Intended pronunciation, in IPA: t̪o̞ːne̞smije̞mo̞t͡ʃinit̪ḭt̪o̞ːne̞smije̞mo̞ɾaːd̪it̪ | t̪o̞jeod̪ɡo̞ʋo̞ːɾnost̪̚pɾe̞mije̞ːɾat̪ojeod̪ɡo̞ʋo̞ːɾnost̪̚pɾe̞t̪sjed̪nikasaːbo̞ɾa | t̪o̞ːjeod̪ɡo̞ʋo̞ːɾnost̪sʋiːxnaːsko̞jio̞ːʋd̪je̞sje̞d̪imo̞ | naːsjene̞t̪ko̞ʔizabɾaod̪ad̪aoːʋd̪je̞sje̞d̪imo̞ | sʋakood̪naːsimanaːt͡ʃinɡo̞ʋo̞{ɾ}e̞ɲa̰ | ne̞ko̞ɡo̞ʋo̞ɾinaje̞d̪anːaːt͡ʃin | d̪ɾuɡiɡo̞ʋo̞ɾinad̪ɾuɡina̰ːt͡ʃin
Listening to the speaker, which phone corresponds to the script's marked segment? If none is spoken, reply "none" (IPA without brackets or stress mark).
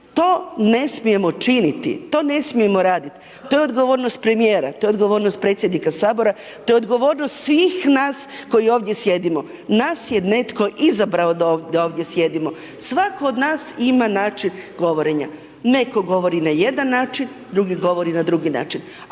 ɾ